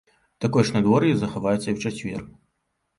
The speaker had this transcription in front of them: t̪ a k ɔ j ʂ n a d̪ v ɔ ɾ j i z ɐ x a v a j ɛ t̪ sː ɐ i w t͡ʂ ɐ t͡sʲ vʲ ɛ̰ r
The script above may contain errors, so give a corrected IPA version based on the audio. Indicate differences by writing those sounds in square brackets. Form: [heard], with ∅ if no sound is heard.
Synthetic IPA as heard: t̪ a k ɔ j ʂ n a d̪ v ɔ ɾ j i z ɐ x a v a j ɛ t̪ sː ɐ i w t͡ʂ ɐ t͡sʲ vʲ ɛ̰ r